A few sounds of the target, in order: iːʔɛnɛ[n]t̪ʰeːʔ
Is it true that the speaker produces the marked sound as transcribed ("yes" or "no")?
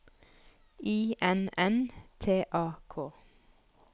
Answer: yes